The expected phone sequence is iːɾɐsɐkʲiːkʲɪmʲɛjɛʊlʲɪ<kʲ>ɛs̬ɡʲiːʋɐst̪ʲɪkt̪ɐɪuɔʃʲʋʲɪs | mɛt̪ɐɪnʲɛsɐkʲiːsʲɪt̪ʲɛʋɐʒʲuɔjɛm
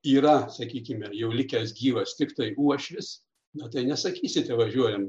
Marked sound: correct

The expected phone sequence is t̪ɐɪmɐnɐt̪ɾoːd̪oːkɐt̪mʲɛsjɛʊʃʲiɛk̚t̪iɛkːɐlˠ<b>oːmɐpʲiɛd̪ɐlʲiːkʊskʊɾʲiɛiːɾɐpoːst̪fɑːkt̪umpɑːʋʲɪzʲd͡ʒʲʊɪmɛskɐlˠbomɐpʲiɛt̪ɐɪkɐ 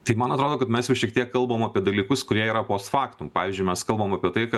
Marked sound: correct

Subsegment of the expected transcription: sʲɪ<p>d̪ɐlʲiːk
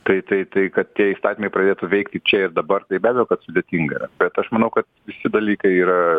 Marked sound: incorrect: none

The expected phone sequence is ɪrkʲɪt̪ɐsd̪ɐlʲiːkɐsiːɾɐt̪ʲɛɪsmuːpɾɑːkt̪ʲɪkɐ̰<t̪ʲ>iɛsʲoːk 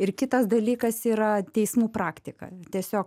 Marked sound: correct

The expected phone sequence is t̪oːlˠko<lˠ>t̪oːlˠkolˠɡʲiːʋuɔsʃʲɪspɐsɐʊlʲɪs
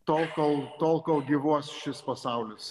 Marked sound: correct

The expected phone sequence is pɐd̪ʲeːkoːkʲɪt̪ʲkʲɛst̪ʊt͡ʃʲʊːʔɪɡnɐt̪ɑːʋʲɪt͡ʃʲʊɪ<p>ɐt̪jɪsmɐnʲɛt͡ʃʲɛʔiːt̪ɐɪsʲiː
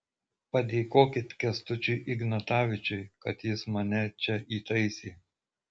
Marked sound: incorrect: k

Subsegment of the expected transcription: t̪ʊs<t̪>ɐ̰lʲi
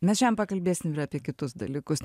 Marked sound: incorrect: d̪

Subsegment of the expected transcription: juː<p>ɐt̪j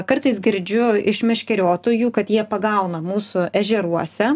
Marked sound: incorrect: k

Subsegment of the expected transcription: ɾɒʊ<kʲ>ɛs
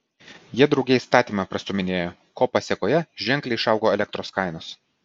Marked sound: incorrect: ɡʲ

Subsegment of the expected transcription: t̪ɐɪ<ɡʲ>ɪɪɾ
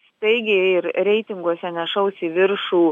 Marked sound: correct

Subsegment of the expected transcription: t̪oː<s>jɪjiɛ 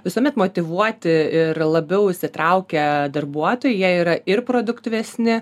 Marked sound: incorrect: none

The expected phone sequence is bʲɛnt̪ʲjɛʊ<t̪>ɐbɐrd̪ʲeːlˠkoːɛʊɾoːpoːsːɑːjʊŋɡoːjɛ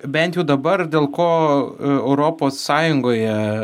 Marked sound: incorrect: d̪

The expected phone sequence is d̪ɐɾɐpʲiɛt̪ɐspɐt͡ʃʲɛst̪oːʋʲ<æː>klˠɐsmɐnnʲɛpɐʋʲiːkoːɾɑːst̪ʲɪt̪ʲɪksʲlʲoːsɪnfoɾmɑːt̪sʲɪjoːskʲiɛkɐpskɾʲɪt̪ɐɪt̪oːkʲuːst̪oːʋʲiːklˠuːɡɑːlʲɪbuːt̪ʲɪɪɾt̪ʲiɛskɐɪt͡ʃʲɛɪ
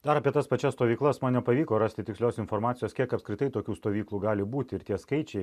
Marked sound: incorrect: iː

